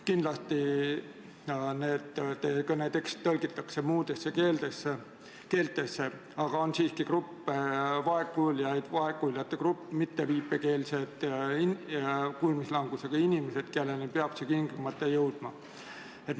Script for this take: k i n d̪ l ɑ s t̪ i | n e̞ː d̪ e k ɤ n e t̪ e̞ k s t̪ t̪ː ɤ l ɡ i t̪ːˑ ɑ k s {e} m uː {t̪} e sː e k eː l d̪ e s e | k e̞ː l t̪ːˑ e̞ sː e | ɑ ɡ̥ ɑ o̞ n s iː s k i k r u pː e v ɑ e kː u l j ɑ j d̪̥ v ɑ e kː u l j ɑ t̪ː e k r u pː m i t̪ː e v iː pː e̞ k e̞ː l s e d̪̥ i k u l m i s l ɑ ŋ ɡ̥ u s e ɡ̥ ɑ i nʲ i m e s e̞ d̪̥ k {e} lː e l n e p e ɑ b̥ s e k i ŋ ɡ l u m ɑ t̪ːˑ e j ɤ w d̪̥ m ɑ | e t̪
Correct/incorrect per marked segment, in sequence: correct, incorrect: d̪, correct

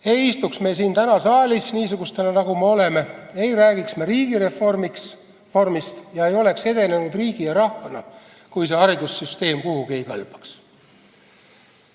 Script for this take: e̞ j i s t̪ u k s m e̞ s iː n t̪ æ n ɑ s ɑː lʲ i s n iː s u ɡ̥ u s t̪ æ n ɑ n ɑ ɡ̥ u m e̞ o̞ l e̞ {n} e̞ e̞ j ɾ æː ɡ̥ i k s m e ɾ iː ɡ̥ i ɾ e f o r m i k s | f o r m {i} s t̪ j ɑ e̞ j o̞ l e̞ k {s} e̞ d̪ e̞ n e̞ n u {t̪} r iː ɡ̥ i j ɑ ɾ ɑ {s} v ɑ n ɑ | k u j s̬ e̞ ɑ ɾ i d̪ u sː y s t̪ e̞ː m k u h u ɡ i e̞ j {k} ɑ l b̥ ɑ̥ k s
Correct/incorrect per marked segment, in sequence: incorrect: m, correct, correct, incorrect: d̪, incorrect: h, correct

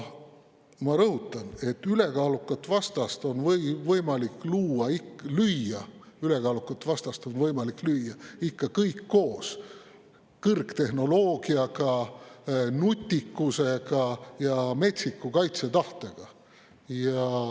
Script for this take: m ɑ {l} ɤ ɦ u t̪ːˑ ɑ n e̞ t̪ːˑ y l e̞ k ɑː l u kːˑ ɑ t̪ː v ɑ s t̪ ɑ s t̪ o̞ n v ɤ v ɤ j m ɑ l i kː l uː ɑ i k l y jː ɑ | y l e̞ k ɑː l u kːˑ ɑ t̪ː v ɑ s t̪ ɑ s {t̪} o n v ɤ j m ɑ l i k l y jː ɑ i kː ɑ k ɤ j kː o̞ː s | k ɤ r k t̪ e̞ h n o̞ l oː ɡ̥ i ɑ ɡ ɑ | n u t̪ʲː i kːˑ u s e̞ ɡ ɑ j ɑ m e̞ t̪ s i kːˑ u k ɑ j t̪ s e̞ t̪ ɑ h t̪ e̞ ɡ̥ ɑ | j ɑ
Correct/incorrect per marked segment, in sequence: incorrect: ɾ, correct

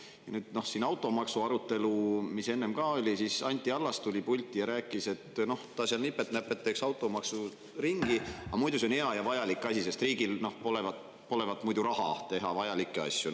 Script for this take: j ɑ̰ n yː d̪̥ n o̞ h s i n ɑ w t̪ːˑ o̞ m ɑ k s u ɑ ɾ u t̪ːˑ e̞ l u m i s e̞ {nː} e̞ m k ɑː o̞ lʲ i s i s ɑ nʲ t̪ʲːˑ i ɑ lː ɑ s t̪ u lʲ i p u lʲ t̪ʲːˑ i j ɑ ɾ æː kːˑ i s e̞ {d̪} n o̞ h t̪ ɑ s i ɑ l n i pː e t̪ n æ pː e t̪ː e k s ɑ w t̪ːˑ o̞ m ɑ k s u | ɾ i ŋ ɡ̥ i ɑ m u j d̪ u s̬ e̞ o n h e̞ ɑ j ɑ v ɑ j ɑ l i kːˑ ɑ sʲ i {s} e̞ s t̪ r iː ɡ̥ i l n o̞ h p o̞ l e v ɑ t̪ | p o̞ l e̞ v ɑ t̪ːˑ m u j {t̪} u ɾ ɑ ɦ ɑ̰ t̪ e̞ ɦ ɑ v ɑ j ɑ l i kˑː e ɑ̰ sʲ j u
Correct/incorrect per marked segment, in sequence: correct, incorrect: t̪, correct, incorrect: d̪

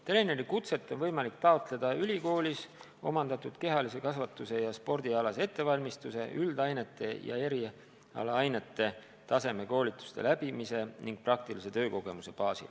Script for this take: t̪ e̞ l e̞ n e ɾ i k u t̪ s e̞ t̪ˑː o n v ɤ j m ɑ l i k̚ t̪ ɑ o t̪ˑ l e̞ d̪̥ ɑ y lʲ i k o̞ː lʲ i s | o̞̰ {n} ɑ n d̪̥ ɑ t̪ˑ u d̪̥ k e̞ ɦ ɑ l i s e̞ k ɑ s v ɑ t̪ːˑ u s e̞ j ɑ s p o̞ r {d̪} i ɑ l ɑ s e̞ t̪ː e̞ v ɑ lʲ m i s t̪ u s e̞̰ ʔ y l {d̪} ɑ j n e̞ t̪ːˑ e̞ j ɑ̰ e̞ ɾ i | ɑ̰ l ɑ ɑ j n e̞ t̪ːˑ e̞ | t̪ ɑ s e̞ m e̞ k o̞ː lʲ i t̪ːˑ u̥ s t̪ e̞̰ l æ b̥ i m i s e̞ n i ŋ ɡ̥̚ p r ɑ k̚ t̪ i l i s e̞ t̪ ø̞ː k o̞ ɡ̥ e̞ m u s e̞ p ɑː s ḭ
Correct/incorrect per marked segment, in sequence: incorrect: m, correct, correct

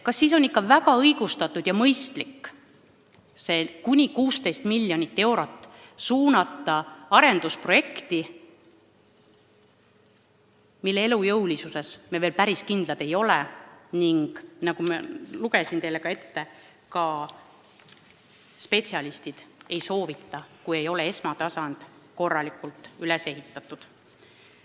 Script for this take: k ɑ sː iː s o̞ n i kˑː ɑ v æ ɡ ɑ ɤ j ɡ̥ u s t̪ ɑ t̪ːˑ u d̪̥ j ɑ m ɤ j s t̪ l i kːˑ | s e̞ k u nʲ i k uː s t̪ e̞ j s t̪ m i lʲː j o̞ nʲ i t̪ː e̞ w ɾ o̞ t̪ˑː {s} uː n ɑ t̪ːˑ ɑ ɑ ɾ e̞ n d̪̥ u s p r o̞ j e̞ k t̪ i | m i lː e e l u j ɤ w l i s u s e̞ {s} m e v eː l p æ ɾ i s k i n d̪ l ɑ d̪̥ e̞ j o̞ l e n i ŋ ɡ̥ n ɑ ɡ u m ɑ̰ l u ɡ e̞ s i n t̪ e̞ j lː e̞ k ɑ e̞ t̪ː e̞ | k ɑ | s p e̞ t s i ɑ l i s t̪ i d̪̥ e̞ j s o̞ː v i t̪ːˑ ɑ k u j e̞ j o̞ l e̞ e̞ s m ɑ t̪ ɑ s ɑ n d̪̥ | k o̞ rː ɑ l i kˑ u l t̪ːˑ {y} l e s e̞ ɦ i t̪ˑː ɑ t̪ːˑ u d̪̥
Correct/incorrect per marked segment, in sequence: correct, correct, correct

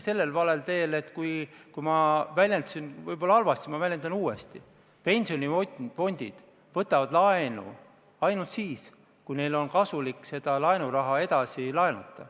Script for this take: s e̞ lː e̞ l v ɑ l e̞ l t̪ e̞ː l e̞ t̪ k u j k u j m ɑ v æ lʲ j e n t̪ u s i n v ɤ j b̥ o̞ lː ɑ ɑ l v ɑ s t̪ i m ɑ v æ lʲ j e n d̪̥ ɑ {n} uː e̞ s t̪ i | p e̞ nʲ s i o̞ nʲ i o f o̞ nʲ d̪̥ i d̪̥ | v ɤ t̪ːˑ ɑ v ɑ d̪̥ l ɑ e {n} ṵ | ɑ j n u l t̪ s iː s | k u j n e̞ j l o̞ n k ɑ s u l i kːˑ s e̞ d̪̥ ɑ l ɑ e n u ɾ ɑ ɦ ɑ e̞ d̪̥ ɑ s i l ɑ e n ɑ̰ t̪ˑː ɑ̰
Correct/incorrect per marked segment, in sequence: correct, correct

